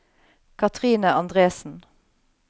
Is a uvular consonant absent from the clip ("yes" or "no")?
no